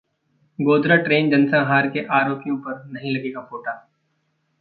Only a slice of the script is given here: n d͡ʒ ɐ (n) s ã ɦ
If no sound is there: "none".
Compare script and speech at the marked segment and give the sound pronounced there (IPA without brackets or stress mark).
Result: n